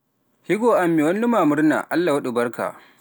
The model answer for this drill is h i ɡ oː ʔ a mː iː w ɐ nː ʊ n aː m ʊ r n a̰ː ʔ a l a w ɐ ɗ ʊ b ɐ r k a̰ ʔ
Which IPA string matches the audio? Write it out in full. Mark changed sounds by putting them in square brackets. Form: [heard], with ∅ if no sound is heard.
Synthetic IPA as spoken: h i ɡ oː ʔ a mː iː w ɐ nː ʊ [m] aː m ʊ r n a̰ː ʔ a [lː] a w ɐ ɗ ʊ b ɐ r k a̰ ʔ